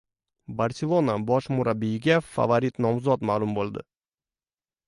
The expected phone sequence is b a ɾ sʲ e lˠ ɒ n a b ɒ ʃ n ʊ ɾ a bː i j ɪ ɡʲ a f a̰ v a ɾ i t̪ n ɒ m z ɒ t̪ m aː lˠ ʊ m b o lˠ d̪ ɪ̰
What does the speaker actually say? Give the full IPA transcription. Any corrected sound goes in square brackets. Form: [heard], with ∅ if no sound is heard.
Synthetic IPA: b a ɾ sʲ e lˠ [o] n a b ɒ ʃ [m] ʊ ɾ a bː i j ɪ ɡʲ a f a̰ v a ɾ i t̪ n ɒ m z ɒ t̪ m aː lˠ ʊ m b o lˠ d̪ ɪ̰